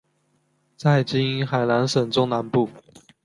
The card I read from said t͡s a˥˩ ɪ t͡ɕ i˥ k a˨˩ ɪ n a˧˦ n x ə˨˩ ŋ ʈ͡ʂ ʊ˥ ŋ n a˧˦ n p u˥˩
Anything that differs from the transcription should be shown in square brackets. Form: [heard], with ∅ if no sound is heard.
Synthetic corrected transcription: t͡s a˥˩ ɪ t͡ɕ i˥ [x] a˨˩ ɪ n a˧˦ n [ʂ] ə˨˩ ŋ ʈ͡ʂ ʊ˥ ŋ n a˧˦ n p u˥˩